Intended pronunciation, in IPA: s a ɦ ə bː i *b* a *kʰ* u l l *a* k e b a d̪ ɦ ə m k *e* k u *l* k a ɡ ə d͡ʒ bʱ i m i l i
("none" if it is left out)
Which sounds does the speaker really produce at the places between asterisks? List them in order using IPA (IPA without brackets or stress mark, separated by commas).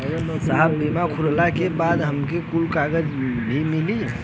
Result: m, kʰ, a, e, l